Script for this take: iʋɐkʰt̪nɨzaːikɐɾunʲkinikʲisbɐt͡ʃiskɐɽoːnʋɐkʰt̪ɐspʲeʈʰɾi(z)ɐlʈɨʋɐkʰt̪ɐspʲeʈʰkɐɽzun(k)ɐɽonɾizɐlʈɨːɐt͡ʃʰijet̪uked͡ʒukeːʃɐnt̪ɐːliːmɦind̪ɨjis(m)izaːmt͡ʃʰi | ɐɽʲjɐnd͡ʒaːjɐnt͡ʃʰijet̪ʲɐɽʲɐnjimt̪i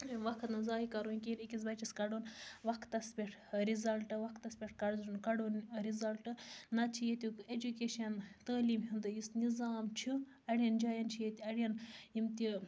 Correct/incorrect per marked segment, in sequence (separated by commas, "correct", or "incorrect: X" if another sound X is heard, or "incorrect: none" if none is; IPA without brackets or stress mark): correct, correct, incorrect: n